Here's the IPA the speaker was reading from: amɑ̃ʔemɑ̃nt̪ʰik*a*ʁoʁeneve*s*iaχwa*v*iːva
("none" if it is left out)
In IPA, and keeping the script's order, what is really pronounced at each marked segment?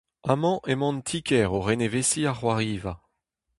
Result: ɛ, s, ʁ

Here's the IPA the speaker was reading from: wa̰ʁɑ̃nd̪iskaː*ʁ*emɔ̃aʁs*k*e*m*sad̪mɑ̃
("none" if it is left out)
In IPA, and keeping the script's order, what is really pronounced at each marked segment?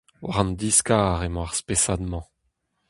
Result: ʁ, p, none

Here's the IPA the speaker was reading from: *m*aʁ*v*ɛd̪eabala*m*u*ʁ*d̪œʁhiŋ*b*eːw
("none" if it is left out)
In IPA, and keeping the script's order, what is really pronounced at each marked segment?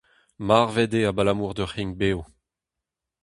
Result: m, v, m, ʁ, b

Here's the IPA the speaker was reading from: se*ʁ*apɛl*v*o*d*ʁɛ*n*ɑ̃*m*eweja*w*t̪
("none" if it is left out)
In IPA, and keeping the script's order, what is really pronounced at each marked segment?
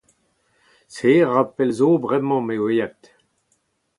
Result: ʁ, z, b, m, m, none

